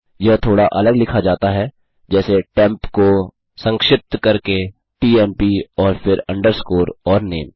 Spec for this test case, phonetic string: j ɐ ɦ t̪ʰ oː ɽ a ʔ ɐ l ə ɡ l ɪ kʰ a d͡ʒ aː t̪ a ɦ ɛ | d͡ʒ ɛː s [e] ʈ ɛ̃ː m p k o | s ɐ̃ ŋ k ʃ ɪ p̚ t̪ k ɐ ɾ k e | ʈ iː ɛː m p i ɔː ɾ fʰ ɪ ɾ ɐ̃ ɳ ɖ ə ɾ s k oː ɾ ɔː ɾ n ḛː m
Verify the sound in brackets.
correct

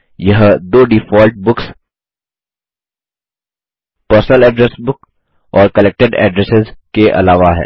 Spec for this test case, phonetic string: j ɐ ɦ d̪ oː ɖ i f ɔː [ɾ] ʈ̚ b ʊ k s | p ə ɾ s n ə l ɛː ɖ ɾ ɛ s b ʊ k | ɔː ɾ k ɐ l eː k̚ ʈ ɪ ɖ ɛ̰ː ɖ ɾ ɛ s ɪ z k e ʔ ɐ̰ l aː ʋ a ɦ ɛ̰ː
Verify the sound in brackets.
incorrect: l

